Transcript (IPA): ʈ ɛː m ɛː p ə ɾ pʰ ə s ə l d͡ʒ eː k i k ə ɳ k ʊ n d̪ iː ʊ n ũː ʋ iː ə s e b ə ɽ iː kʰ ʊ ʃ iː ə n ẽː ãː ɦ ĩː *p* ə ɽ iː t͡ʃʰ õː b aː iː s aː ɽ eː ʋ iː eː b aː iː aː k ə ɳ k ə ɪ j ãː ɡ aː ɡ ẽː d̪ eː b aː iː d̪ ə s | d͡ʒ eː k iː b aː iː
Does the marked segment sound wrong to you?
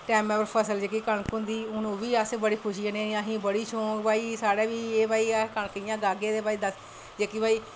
yes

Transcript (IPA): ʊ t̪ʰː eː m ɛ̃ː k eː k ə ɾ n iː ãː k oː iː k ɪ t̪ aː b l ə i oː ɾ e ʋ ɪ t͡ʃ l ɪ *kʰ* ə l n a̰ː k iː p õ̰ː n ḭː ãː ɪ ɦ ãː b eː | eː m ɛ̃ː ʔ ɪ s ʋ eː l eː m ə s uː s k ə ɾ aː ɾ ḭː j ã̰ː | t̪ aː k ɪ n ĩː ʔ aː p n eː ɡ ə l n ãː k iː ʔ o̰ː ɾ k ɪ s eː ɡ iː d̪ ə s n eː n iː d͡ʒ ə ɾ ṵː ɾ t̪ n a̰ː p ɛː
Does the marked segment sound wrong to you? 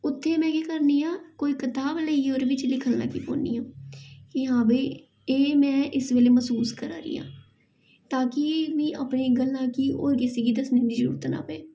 no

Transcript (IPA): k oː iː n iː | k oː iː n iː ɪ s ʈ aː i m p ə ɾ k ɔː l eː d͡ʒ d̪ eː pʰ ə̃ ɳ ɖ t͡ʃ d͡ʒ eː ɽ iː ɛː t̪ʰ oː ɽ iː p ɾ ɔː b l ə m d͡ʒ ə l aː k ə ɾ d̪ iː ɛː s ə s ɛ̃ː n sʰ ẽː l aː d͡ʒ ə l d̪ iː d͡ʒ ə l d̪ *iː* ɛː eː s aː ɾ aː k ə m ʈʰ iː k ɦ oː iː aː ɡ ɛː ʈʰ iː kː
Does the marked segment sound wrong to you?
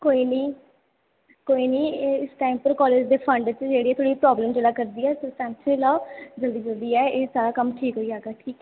no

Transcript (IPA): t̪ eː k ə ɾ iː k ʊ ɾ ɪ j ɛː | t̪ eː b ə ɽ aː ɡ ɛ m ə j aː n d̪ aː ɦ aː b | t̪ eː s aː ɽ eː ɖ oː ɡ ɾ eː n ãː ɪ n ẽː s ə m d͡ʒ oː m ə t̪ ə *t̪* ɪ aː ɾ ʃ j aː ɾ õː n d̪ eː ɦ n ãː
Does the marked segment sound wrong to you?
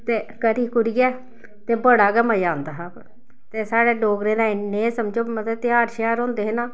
no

